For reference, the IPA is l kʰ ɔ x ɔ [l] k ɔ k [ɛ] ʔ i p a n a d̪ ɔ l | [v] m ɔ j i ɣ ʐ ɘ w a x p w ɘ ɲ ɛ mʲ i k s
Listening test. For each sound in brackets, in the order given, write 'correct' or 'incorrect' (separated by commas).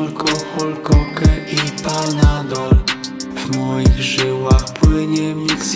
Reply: correct, correct, correct